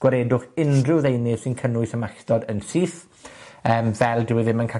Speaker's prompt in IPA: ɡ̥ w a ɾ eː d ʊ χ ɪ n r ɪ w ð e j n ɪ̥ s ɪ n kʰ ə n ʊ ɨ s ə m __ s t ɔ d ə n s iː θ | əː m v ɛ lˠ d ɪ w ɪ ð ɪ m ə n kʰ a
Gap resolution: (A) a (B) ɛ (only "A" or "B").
A